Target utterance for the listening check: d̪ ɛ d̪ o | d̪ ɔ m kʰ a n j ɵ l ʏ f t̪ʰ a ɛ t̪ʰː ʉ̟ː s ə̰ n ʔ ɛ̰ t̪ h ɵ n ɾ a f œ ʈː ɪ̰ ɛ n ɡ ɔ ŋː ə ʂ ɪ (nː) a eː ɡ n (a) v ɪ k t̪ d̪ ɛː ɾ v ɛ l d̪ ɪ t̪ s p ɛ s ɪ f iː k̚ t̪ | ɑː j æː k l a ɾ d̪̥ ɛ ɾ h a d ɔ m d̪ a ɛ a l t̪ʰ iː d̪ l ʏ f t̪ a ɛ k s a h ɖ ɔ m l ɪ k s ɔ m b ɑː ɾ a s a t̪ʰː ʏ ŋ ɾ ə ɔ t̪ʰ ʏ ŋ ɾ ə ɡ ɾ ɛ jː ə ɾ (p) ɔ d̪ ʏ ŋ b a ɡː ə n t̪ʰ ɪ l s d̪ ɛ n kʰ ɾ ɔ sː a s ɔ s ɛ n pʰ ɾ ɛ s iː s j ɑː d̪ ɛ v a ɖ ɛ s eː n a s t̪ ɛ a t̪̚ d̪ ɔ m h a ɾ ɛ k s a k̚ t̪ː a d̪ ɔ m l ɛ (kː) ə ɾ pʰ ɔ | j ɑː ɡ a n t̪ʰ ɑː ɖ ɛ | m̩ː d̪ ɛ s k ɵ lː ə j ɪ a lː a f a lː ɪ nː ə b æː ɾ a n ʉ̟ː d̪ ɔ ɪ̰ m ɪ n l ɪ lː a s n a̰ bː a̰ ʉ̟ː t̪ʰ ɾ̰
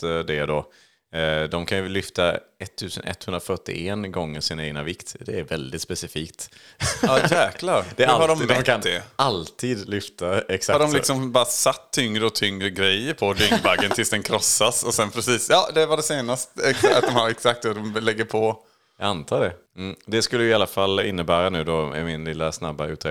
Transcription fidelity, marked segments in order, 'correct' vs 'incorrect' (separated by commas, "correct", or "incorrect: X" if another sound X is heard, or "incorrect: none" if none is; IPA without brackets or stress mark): incorrect: n, correct, incorrect: pʰ, incorrect: ɡː